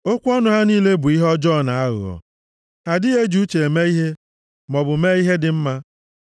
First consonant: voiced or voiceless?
voiceless